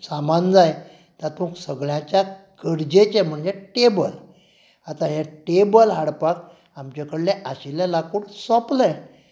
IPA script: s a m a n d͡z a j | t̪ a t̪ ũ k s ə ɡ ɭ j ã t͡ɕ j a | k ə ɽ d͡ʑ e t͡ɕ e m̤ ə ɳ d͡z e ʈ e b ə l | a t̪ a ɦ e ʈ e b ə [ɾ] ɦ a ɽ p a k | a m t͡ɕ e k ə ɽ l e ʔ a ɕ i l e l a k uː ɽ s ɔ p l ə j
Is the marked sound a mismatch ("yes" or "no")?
yes